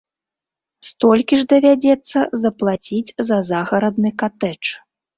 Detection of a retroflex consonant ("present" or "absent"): present